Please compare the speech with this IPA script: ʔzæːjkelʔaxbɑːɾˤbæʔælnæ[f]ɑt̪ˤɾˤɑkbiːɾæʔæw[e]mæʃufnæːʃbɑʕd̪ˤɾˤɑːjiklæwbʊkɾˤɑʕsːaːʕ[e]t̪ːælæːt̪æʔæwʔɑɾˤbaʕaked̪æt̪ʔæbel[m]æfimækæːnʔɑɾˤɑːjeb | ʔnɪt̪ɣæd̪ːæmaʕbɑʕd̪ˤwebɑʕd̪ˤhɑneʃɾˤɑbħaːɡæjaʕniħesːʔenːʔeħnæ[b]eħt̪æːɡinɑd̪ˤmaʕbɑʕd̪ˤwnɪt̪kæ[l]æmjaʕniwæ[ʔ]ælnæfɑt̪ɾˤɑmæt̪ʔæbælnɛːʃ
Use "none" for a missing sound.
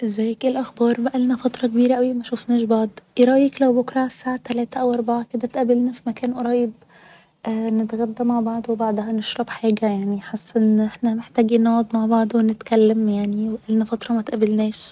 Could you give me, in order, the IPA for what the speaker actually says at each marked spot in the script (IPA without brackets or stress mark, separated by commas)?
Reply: f, i, a, n, m, lː, ʔ